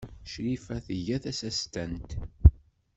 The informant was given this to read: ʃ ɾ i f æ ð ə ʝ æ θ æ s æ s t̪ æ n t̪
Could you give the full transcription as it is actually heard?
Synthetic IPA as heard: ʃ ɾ i f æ θ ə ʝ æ θ æ s æ s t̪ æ n t̪